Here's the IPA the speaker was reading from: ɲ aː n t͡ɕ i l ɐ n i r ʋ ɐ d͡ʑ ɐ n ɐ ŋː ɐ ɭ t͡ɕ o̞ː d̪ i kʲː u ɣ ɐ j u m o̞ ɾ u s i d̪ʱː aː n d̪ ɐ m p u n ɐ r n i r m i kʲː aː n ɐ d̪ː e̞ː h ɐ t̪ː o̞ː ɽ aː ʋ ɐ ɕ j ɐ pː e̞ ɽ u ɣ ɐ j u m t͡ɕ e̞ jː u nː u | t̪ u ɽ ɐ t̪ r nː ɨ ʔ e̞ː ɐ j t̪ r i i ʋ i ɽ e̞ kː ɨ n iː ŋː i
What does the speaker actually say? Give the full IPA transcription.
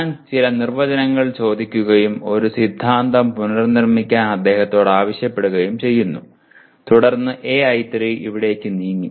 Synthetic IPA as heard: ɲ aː n t͡ɕ i l ɐ n i r ʋ ɐ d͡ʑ ɐ n ɐ ŋː ɐ ɭ t͡ɕ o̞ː d̪ i kʲː u ɣ ɐ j u m o̞ ɾ u s i d̪ʱː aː n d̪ ɐ m p u n ɐ r n i r m i kʲː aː n ɐ d̪ː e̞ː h ɐ t̪ː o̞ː ɽ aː ʋ ɐ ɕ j ɐ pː e̞ ɽ u ɣ ɐ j u m t͡ɕ e̞ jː u nː u | t̪ u ɽ ɐ r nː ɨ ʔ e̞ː ɐ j t̪ r i i ʋ i ɽ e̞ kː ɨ n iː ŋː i